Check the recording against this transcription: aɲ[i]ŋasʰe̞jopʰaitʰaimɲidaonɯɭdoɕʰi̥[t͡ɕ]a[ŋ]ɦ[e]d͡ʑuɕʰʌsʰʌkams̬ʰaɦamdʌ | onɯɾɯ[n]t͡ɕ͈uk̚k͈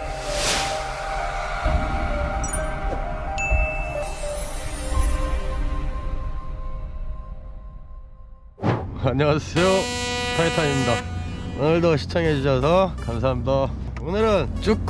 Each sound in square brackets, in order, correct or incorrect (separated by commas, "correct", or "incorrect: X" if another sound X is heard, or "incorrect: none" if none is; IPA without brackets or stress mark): correct, incorrect: t͡ɕʰ, correct, correct, correct